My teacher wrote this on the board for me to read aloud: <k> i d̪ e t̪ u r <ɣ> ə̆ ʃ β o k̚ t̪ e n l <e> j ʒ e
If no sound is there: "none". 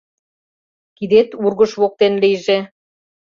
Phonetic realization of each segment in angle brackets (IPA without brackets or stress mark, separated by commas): k, ɣ, i